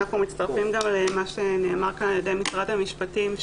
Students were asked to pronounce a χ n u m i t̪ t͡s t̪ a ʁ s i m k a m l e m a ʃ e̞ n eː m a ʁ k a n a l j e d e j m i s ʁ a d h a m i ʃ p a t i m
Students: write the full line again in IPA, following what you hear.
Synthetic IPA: a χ n u m i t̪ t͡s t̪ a ʁ f i m ɡ a m l e m a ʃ e̞ n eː m a ʁ k a n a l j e d e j m i s ʁ a d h a m i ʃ p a t i m